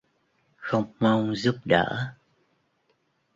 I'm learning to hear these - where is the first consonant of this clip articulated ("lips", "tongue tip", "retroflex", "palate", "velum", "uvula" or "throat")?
velum